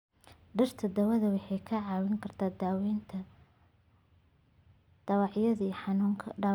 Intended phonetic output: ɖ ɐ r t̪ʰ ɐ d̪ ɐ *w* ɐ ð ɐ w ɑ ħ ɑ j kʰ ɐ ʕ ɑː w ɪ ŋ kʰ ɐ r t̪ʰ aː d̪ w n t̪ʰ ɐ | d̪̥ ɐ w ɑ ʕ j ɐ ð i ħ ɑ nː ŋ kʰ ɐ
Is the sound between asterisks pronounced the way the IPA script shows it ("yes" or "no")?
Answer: yes